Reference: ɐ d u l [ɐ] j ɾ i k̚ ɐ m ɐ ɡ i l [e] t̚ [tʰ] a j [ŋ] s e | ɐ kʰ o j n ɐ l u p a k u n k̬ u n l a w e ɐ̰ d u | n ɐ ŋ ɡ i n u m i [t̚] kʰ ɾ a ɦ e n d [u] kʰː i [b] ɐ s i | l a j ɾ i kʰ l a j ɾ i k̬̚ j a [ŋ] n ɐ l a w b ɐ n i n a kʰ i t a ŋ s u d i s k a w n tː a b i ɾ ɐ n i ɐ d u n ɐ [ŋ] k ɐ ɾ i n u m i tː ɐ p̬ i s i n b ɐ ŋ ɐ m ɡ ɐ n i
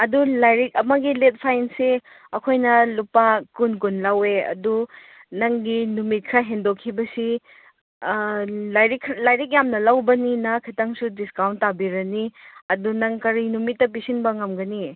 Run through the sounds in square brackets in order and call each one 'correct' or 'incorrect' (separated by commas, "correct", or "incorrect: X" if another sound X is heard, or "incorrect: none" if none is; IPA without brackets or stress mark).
incorrect: a, correct, incorrect: pʰ, incorrect: n, correct, incorrect: o, correct, incorrect: m, correct